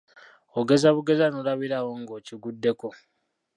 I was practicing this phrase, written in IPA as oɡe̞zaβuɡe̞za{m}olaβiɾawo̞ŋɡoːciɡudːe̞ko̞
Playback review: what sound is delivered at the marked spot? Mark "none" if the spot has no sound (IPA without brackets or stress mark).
n